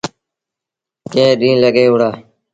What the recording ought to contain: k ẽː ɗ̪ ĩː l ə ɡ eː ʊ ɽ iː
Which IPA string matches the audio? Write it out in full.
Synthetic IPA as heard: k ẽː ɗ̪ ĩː l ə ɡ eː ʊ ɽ aː

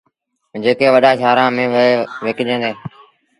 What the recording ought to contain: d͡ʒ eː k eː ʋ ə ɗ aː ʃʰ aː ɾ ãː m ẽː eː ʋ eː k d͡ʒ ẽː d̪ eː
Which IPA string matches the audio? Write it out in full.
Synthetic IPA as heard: d͡ʒ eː k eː ʋ ə ɗ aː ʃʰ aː ɾ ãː m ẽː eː ʋ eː k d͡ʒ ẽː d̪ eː

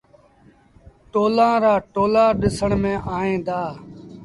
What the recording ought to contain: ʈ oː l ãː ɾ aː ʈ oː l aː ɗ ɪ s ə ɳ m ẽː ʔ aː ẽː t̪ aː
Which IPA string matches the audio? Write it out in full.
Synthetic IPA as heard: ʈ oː l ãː ɾ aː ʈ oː l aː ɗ ɪ s ə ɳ m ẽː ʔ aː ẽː d̪ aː

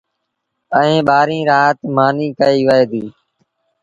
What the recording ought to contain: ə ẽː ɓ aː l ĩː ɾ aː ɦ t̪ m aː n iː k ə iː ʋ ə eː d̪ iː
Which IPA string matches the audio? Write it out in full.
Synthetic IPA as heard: ə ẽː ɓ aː ɾ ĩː ɾ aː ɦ t̪ m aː n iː k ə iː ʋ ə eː d̪ iː

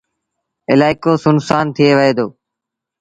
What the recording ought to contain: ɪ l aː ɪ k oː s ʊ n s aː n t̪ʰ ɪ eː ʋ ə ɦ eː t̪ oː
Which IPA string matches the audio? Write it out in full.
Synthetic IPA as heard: ɪ l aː ɪ k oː s ʊ n s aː n t̪ʰ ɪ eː ʋ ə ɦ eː d̪ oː

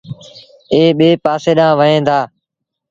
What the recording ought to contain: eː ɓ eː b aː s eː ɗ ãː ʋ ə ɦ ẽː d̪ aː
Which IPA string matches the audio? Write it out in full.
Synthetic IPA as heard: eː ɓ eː p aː s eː ɗ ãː ʋ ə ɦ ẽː d̪ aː

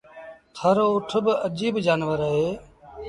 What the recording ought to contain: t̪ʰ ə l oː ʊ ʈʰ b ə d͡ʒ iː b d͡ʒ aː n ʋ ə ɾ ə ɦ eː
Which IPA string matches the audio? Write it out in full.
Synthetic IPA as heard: t̪ʰ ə ɾ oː ʊ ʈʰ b ə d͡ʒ iː b d͡ʒ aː n ʋ ə ɾ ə ɦ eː

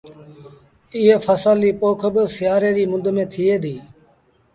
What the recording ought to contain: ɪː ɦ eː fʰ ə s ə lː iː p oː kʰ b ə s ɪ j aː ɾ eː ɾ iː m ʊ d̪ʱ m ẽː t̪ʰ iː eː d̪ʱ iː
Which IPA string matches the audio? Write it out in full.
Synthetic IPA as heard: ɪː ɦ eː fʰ ə s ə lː iː p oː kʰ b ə s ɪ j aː ɾ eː ɾ iː m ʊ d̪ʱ m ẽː t̪ʰ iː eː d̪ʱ iː

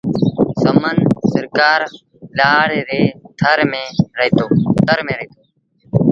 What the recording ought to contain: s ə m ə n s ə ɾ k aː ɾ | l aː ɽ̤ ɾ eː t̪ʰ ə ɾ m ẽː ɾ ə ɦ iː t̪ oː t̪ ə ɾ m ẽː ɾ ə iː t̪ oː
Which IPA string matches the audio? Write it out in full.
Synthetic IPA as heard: s ə m ə n s ə ɾ k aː ɾ | l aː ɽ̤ ɾ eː t̪ʰ ə ɾ m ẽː ɾ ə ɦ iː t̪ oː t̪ ə ɾ m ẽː ɾ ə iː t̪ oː

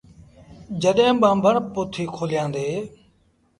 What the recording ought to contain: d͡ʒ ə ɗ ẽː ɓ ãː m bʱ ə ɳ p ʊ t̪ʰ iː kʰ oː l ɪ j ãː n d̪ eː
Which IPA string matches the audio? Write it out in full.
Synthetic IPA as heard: d͡ʒ ə ɗ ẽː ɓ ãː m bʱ ə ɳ p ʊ t̪ʰ iː kʰ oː l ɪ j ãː n d̪ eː

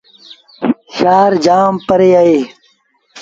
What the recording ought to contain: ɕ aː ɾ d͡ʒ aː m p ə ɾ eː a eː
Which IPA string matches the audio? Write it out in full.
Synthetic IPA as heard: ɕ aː ɾ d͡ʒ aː m p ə ɾ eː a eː

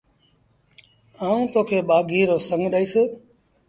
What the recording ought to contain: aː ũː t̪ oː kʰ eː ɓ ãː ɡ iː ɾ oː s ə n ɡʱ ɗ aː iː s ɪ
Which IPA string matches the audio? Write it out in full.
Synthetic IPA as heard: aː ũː t̪ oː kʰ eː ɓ aː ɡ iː ɾ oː s ə ŋ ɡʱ ɗ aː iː s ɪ

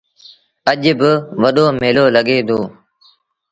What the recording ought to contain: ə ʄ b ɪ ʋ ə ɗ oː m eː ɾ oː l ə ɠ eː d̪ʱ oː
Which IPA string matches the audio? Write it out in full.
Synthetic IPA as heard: ə ʄ b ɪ ʋ ə ɗ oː m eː l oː l ə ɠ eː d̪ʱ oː

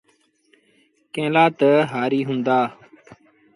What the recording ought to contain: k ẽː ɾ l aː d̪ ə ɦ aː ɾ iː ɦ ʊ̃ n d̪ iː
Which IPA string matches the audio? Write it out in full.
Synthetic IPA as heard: k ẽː l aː t̪ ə ɦ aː ɾ iː ɦ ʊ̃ n d̪ aː

